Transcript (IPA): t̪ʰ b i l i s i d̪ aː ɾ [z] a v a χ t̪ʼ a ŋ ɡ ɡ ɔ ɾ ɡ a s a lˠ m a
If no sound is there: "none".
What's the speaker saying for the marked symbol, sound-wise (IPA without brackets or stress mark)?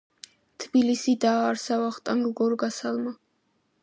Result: s